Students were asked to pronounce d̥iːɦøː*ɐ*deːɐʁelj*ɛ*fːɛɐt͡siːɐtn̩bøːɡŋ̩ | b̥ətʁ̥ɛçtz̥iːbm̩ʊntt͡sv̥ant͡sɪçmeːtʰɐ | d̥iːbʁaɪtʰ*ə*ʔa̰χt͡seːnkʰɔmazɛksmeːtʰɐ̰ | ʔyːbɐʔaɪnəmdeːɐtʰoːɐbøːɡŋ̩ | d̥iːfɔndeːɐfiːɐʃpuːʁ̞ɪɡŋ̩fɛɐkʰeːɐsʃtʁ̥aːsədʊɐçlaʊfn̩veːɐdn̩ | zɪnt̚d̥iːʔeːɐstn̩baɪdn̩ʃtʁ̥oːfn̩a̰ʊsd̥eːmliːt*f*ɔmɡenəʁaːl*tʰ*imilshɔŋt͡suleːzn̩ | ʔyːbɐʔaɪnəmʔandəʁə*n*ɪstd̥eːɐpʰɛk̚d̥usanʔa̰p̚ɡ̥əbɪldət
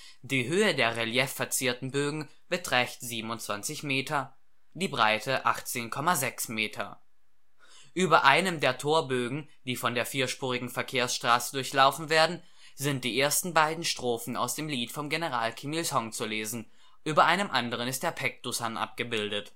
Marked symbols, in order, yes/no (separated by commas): no, yes, yes, yes, no, yes